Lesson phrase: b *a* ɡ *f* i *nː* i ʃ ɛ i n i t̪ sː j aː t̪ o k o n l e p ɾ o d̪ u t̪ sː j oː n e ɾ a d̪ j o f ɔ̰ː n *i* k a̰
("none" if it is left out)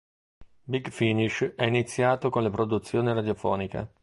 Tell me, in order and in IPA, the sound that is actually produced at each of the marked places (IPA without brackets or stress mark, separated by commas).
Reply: i, f, n, i